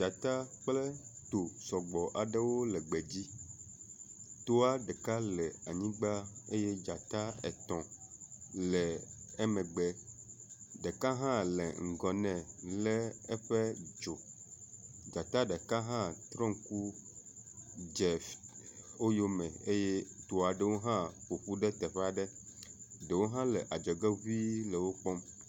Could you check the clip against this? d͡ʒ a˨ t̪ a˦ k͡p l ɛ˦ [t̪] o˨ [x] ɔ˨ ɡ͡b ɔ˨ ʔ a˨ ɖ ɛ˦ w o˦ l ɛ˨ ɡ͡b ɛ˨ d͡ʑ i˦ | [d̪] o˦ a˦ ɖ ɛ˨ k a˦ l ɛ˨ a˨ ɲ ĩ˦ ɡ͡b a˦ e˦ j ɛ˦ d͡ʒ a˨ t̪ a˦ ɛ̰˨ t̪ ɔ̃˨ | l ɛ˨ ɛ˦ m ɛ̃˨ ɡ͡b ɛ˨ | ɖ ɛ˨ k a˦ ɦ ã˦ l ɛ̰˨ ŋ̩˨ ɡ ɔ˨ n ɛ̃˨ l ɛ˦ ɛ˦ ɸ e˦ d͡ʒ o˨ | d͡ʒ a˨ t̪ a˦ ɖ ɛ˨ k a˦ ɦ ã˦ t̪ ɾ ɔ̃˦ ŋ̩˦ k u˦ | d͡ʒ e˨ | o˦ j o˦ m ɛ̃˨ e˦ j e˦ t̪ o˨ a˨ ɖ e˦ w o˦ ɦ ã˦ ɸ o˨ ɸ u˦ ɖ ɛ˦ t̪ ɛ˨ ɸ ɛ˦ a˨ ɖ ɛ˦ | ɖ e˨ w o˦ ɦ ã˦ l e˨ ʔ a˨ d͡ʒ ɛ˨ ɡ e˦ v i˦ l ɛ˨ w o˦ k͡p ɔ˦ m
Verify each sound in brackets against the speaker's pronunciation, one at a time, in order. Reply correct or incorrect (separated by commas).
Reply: correct, incorrect, incorrect